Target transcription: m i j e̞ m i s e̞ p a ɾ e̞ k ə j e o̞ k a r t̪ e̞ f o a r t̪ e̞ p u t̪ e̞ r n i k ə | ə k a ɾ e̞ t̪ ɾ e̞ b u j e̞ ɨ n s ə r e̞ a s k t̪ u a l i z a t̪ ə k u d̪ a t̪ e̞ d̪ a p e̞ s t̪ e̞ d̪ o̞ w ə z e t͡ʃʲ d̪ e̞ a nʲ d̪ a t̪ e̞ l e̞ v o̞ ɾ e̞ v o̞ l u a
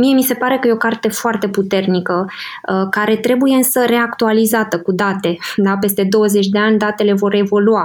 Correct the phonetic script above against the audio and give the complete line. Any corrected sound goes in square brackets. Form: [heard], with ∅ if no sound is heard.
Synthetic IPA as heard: m i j e̞ m i s e̞ p a ɾ e̞ k ə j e o̞ k a r t̪ e̞ f o a r t̪ e̞ p u t̪ e̞ r n i k ə | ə k a ɾ e̞ t̪ ɾ e̞ b u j e̞ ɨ n s ə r e̞ a [∅] k t̪ u a l i z a t̪ ə k u d̪ a t̪ e̞ d̪ a p e̞ s t̪ e̞ d̪ o̞ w ə z e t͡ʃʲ d̪ e̞ a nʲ d̪ a t̪ e̞ l e̞ v o̞ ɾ e̞ v o̞ l u a